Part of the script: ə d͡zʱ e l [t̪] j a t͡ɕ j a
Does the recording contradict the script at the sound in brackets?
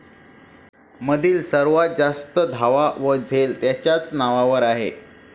no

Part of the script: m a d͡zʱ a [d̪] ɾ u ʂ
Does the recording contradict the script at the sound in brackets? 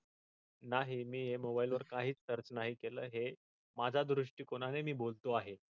no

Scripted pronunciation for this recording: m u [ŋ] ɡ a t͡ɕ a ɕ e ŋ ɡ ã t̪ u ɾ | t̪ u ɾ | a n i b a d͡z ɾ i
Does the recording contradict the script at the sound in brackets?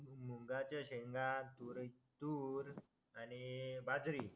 no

